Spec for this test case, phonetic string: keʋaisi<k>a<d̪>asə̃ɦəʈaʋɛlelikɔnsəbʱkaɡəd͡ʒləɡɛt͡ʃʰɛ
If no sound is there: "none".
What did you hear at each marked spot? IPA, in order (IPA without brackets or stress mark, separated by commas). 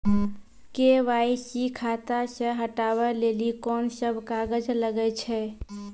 kʰ, t̪